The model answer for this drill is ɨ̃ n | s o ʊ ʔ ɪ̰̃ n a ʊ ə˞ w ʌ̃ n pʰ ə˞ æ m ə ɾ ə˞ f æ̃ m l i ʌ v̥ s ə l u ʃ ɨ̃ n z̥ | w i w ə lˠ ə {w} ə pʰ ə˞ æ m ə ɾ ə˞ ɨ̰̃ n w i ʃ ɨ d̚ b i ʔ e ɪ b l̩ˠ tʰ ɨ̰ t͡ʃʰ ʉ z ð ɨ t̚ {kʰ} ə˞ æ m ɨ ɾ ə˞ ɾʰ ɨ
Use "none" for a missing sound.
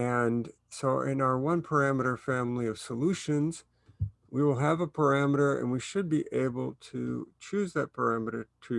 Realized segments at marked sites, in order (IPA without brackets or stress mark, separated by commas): v, pʰ